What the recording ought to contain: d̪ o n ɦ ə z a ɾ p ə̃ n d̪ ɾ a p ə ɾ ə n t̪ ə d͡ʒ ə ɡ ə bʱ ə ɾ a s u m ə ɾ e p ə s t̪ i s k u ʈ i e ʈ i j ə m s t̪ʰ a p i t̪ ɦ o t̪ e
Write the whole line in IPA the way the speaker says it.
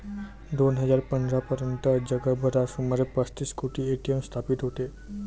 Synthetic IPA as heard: d̪ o n ɦ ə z a ɾ p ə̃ n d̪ ɾ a p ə ɾ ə n t̪ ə d͡ʒ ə ɡ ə bʱ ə ɾ a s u m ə ɾ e p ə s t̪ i s k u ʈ i e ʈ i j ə m s t̪ʰ a p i t̪ ɦ o t̪ e